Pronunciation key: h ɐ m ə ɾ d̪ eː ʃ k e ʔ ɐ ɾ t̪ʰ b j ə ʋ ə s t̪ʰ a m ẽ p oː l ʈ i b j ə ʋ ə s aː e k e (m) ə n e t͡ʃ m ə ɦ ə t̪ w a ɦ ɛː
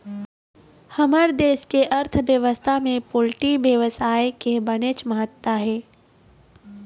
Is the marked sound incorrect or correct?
incorrect